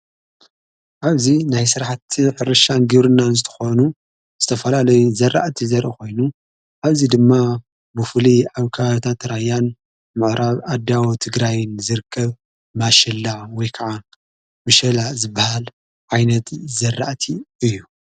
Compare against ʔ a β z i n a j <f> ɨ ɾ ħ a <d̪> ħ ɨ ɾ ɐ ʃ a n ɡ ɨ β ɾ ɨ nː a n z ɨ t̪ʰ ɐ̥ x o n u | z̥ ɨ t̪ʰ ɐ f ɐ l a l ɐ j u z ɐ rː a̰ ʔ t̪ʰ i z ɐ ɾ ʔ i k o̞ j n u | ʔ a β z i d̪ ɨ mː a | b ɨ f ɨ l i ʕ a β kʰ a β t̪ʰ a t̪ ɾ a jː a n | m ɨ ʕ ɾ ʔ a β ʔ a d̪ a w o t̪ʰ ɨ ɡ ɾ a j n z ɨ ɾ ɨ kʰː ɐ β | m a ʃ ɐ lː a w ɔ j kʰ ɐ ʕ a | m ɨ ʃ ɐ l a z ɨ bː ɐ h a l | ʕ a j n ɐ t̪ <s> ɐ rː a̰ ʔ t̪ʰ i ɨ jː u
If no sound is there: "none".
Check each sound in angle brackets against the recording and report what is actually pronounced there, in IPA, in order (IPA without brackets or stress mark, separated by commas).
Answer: s, t̪, z